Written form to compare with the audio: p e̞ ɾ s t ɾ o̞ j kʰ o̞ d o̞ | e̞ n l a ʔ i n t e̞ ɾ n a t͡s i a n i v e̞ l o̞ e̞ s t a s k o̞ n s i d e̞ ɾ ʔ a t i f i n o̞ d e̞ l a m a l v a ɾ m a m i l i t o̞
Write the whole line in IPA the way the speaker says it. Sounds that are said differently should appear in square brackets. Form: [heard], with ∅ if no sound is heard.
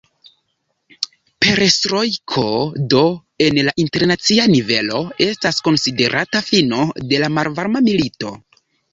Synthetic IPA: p e̞ ɾ s t ɾ o̞ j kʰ o̞ d o̞ | e̞ n l a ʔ i n t e̞ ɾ n a t͡s i a n i v e̞ l o̞ e̞ s t a s k o̞ n s i d e̞ ɾ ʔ a t [a] f i n o̞ d e̞ l a m a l v a ɾ m a m i l i t o̞